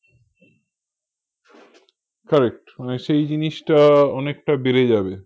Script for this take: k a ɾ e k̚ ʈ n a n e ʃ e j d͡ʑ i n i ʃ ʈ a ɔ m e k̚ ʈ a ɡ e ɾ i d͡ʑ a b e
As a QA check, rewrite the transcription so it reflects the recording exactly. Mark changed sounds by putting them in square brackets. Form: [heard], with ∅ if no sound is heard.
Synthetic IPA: k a ɾ e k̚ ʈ [m] a n e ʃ e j d͡ʑ i n i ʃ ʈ a ɔ [n] e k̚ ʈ a [b] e ɾ [e] d͡ʑ a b e